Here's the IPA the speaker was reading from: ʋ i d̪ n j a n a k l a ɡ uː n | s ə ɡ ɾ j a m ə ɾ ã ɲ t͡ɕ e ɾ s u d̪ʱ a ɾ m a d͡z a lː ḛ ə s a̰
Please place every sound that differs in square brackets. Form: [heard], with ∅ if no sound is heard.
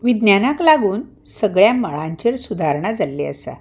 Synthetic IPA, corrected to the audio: ʋ i d̪ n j a n a k l a ɡ uː n | s ə ɡ [ɭ] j a m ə [ɭ] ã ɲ t͡ɕ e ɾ s u d̪ʱ a ɾ [ɳ] a d͡z a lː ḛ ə s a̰